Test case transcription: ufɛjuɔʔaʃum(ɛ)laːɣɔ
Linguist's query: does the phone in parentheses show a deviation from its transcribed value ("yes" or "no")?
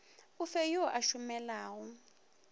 no